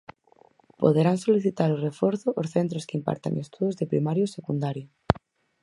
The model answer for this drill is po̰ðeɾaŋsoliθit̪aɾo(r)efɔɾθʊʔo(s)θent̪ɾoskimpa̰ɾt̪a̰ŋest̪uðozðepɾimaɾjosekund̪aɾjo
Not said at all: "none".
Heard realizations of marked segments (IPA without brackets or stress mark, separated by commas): r, s